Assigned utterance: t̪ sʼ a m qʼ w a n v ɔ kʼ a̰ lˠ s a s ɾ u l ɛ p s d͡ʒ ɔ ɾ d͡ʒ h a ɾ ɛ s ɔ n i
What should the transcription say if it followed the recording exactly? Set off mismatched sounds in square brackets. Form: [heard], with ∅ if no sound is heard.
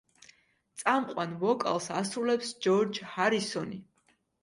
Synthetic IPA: t̪ sʼ a m qʼ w a n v ɔ kʼ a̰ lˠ s a s ɾ u l ɛ p s d͡ʒ ɔ ɾ d͡ʒ h a ɾ [i] s ɔ n i